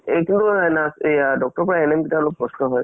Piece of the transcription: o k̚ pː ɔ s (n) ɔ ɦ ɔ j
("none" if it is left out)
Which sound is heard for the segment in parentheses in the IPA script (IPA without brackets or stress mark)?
n